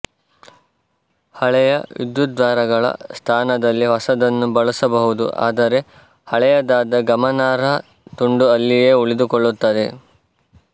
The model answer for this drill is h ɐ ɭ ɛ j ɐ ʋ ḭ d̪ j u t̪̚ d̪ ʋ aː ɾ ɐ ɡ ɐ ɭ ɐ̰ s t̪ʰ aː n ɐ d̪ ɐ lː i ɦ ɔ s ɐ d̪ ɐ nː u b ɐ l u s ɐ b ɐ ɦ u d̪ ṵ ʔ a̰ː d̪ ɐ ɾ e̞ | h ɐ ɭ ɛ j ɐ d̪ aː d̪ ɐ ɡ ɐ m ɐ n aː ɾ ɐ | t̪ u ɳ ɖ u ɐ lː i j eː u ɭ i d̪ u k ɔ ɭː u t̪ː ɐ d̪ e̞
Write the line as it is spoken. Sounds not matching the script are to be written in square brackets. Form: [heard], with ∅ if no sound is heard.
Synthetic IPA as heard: h ɐ ɭ ɛ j ɐ ʋ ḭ d̪ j u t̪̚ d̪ ʋ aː ɾ ɐ ɡ ɐ ɭ ɐ̰ s t̪ʰ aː n ɐ d̪ ɐ lː i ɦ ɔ s ɐ d̪ ɐ nː u b ɐ [ɭ] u s ɐ b ɐ ɦ u d̪ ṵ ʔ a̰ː d̪ ɐ ɾ e̞ | h ɐ ɭ ɛ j ɐ d̪ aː d̪ ɐ ɡ ɐ m ɐ n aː ɾ ɐ | t̪ u ɳ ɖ u ɐ lː i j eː u ɭ i d̪ u k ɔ ɭː u t̪ː ɐ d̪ e̞

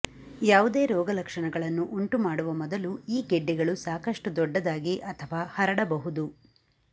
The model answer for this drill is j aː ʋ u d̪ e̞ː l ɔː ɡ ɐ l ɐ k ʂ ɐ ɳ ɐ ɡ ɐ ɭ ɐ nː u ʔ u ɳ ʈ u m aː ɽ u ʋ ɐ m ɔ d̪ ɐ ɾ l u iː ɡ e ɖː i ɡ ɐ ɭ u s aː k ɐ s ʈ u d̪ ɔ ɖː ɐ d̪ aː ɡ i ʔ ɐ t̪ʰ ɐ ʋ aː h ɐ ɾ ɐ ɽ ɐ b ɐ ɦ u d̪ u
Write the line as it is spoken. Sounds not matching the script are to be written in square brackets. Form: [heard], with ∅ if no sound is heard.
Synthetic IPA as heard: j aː ʋ u d̪ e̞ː [ɾ] ɔː ɡ ɐ l ɐ k ʂ ɐ ɳ ɐ ɡ ɐ ɭ ɐ nː u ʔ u ɳ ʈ u m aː ɽ u ʋ ɐ m ɔ d̪ ɐ [∅] l u iː ɡ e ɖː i ɡ ɐ ɭ u s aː k ɐ [ʂ] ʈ u d̪ ɔ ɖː ɐ d̪ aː ɡ i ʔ ɐ t̪ʰ ɐ ʋ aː h ɐ ɾ ɐ ɽ ɐ b ɐ ɦ u d̪ u

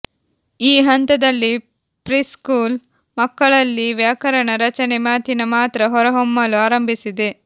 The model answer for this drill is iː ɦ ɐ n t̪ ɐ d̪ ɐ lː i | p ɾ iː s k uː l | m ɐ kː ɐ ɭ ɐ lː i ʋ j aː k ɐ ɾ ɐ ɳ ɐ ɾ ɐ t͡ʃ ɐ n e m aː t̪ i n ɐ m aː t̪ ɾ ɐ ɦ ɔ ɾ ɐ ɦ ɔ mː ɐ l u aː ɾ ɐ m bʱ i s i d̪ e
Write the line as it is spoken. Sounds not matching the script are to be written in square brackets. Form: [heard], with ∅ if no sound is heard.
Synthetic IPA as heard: iː ɦ ɐ n t̪ ɐ d̪ ɐ lː i | p ɾ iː s k uː l | m ɐ kː ɐ ɭ ɐ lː i ʋ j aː k ɐ ɾ ɐ ɳ ɐ ɾ ɐ t͡ʃ ɐ n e m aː t̪ i n ɐ m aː t̪ ɾ ɐ ɦ ɔ ɾ ɐ ɦ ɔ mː ɐ l u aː ɾ ɐ m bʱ i s i d̪ e

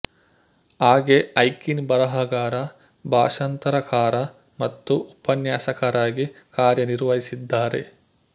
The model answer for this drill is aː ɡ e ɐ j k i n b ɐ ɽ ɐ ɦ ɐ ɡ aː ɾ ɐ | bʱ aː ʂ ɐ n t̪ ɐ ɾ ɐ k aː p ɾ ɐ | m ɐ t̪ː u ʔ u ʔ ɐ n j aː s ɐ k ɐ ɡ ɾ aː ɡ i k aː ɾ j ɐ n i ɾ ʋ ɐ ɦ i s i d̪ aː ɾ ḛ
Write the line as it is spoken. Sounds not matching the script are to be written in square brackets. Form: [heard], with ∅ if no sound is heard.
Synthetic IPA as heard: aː ɡ e ɐ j k i n b ɐ [ɾ] ɐ ɦ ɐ ɡ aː ɾ ɐ | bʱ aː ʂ ɐ n t̪ ɐ ɾ ɐ k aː [∅] ɾ ɐ | m ɐ t̪ː u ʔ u [p] ɐ n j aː s ɐ k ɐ [∅] ɾ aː ɡ i k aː ɾ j ɐ n i ɾ ʋ ɐ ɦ i s i [d̪ː] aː ɾ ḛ

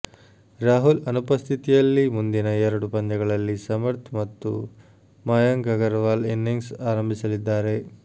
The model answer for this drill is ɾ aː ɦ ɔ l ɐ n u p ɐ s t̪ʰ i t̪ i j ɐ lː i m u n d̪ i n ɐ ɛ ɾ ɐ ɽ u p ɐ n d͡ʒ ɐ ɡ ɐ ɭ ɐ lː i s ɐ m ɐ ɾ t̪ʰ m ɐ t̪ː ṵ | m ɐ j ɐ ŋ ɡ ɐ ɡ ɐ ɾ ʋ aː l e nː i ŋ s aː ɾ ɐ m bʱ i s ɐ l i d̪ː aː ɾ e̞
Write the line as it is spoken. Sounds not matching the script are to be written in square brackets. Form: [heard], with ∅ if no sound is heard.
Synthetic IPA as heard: ɾ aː ɦ [u] l ɐ n u p ɐ s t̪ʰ i t̪ i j ɐ lː i m u n d̪ i n ɐ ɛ ɾ ɐ ɽ u p ɐ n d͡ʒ ɐ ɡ ɐ ɭ ɐ lː i s ɐ m ɐ ɾ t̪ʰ m ɐ t̪ː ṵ | m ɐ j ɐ ŋ ɡ ɐ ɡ ɐ ɾ ʋ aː l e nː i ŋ s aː ɾ ɐ m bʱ i s ɐ l i d̪ː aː ɾ e̞

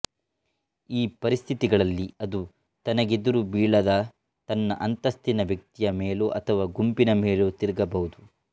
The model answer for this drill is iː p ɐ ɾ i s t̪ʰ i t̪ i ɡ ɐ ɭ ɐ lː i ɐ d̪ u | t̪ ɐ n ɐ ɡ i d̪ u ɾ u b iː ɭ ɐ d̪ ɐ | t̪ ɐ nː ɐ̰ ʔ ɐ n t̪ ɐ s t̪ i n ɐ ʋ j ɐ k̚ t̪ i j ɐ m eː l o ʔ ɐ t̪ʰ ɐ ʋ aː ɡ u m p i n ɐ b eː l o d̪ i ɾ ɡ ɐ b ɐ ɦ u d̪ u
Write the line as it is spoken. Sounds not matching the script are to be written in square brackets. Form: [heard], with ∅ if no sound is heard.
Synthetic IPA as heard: iː p ɐ ɾ i s t̪ʰ i t̪ i ɡ ɐ ɭ ɐ lː i ɐ d̪ u | t̪ ɐ n ɐ ɡ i d̪ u ɾ u b iː ɭ ɐ d̪ ɐ | t̪ ɐ nː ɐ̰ ʔ ɐ n t̪ ɐ s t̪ i n ɐ ʋ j ɐ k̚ t̪ i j ɐ m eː l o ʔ ɐ t̪ʰ ɐ ʋ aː ɡ u m p i n ɐ [m] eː l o [t̪] i ɾ ɡ ɐ b ɐ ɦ u d̪ u

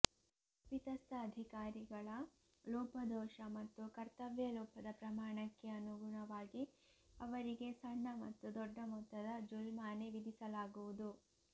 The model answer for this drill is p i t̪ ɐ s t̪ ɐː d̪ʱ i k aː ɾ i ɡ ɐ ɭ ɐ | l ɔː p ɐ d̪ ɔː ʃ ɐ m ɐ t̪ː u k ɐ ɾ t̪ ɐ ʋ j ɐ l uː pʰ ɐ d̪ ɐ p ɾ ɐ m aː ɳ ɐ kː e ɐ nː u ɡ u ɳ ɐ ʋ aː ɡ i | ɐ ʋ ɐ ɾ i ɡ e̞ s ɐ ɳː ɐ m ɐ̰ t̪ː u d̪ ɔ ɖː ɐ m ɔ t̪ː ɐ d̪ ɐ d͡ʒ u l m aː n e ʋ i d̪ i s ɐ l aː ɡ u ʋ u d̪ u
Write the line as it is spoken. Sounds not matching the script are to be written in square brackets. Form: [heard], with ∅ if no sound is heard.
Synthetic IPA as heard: p i t̪ ɐ s t̪ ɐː d̪ʱ i k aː ɾ i ɡ ɐ ɭ ɐ | l ɔː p ɐ d̪ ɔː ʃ ɐ m ɐ t̪ː u k ɐ ɾ t̪ ɐ ʋ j ɐ l [ɔː] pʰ ɐ d̪ ɐ p ɾ ɐ m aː ɳ ɐ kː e ɐ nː u ɡ u ɳ ɐ ʋ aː ɡ i | ɐ ʋ ɐ ɾ i ɡ e̞ s ɐ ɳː ɐ m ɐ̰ t̪ː u d̪ ɔ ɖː ɐ m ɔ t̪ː ɐ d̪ ɐ d͡ʒ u l m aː n e ʋ i d̪ i s ɐ l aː ɡ u ʋ u d̪ u

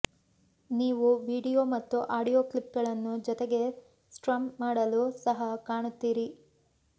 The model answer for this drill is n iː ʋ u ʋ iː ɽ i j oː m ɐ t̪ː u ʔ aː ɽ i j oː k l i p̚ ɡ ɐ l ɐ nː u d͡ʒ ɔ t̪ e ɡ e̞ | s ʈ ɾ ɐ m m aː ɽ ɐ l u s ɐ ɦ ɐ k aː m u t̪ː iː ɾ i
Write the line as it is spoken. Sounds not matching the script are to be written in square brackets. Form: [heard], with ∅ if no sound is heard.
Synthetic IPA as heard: n iː ʋ u ʋ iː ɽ i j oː m ɐ t̪ː u ʔ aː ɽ i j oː k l i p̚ ɡ ɐ [ɭ] ɐ nː u d͡ʒ ɔ t̪ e ɡ e̞ | s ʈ ɾ ɐ m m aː ɽ ɐ l u s ɐ ɦ ɐ k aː [ɳ] u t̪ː iː ɾ i

